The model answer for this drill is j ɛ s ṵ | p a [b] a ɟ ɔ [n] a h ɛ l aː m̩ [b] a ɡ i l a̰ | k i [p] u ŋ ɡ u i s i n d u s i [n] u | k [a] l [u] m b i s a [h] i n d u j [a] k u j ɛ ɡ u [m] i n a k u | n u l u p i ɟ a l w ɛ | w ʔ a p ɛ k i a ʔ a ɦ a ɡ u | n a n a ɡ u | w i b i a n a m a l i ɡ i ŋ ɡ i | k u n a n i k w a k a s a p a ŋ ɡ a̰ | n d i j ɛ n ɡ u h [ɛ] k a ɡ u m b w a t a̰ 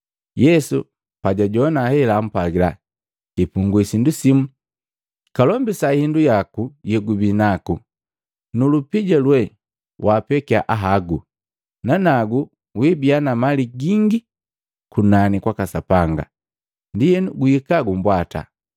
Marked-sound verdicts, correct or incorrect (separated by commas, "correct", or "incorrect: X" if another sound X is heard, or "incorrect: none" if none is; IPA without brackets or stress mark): incorrect: ɟ, correct, incorrect: p, correct, incorrect: m, correct, incorrect: ɔ, correct, correct, incorrect: b, incorrect: i